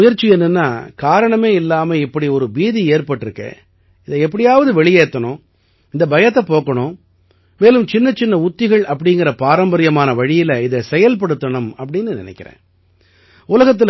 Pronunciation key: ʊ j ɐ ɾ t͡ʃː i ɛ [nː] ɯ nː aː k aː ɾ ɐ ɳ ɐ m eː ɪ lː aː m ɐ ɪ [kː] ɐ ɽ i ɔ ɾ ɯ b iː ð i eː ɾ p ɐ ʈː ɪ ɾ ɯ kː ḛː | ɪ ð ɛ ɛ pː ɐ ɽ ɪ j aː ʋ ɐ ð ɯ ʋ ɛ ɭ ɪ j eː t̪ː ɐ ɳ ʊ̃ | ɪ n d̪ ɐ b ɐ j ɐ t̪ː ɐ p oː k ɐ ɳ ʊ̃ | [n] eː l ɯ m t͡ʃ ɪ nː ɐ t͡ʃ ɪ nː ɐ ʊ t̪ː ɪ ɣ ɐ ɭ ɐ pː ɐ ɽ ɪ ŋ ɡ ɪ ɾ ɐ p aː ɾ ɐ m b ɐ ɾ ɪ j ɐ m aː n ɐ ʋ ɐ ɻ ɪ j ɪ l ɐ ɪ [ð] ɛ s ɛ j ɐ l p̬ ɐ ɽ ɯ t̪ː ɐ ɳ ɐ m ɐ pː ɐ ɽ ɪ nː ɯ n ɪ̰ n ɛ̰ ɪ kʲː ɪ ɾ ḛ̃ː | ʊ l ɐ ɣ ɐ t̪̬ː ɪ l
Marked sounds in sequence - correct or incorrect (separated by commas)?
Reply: correct, incorrect, incorrect, correct